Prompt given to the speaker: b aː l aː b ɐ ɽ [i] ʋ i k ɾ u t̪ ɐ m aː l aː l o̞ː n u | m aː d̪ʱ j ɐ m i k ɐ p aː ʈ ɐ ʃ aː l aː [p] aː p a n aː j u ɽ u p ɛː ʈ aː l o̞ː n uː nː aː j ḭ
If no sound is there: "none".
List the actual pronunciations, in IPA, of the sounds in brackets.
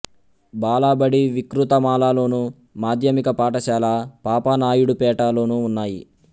i, p

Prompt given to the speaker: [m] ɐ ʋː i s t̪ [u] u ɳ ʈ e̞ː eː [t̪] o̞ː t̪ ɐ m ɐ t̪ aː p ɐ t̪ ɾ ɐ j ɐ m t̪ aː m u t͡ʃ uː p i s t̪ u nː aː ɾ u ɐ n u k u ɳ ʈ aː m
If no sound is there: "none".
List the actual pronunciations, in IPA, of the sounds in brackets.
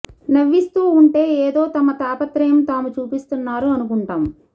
n, uː, d̪

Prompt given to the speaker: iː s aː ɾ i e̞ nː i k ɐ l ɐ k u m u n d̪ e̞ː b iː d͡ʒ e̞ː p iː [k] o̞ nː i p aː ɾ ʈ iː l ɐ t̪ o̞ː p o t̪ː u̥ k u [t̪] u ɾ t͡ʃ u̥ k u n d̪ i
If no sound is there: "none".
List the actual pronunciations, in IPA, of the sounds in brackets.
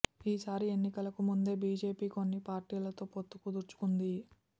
k, d̪

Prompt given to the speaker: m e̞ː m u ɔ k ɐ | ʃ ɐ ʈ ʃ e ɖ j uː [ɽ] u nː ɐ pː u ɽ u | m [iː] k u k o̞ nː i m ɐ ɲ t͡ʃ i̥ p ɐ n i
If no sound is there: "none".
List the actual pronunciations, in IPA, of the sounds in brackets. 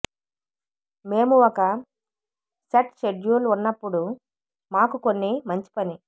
l, aː

